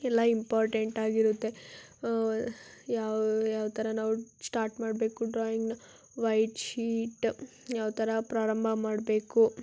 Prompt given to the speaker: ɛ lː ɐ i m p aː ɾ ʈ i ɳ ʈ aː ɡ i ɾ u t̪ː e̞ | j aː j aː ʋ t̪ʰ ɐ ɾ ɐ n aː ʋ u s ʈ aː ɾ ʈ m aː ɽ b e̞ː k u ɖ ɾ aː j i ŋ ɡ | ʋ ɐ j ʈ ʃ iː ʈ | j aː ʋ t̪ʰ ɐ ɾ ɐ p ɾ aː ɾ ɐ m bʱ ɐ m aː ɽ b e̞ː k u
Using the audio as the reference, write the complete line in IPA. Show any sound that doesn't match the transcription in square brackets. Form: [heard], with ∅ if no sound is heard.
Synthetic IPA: ɛ lː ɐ i m p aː ɾ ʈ [e] ɳ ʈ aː ɡ i ɾ u t̪ː e̞ | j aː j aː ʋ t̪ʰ ɐ ɾ ɐ n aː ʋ u s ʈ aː ɾ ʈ m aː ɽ b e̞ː k u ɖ ɾ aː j i ŋ ɡ | ʋ ɐ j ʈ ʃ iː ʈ | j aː ʋ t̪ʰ ɐ ɾ ɐ p ɾ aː ɾ ɐ m bʱ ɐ m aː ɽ b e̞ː k u